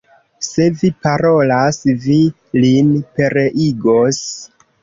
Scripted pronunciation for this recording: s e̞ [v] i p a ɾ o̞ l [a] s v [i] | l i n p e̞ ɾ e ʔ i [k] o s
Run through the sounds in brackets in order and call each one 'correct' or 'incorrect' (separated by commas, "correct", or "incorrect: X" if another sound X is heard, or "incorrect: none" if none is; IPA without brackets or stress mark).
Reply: correct, correct, correct, incorrect: ɡ